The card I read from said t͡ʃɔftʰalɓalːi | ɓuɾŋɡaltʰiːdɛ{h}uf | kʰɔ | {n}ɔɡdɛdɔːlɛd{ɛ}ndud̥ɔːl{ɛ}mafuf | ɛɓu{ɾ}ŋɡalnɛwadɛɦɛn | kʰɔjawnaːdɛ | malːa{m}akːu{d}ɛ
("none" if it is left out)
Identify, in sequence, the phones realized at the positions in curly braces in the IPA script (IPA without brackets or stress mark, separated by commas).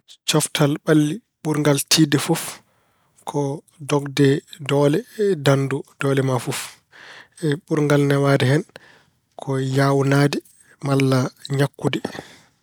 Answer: f, d, a, ɛ, ɾ, ɲ, d